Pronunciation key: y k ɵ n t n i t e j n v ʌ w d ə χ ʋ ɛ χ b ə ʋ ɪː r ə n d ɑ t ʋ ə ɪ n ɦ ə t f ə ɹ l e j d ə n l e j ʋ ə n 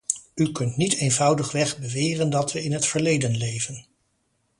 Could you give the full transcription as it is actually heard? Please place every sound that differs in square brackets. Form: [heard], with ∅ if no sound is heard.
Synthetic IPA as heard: y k ɵ n t n i t e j n v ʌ w d ə χ ʋ ɛ χ b ə ʋ ɪː r ə n d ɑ t ʋ ə ɪ n ɦ ə t f ə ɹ l e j d ə n l e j [v] ə n